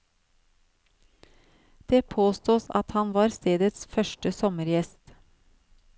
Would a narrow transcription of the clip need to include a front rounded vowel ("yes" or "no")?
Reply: yes